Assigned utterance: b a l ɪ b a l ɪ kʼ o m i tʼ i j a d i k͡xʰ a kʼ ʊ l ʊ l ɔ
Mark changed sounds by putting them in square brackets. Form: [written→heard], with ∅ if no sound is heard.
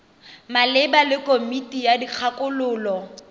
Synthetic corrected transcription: [b→m] a l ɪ b a l ɪ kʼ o m i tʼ i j a d i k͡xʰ a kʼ ʊ l [ʊ→ʊː] l ɔ